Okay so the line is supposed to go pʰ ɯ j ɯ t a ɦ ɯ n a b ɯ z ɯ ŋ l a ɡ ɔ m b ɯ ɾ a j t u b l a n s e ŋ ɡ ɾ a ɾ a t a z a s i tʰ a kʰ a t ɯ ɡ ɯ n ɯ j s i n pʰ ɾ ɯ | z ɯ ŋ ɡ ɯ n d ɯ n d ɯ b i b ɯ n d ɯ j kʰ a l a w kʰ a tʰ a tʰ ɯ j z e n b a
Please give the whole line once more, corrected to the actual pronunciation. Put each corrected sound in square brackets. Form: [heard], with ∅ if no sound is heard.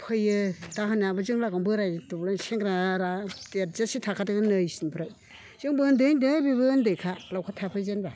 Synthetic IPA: pʰ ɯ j ɯ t a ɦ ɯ n a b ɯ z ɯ ŋ l a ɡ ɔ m b ɯ ɾ a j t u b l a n s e ŋ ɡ ɾ a ɾ a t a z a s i tʰ a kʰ a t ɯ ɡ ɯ n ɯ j s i n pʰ ɾ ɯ | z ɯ ŋ [b] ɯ n d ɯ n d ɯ b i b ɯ n d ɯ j kʰ a l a w kʰ a tʰ a [pʰ] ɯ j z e n b a